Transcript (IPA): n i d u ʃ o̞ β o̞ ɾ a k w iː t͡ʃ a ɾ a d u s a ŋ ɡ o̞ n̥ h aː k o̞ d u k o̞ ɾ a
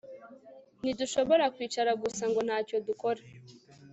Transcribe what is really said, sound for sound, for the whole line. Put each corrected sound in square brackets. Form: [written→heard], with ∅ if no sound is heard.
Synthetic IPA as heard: n i d u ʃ o̞ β o̞ ɾ a k w iː t͡ʃ a ɾ a [d→ɡ] u s a ŋ ɡ o̞ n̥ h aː [k→c] o̞ d u k o̞ ɾ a